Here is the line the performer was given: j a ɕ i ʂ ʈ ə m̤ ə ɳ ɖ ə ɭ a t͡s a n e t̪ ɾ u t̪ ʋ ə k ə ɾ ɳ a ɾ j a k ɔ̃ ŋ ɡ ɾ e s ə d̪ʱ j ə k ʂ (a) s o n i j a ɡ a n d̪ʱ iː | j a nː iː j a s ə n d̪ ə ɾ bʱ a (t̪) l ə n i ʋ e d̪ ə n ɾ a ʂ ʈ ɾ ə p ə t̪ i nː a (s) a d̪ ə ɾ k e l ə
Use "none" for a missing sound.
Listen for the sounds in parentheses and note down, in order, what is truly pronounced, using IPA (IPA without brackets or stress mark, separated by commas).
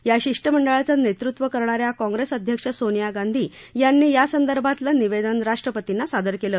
ə, t̪, s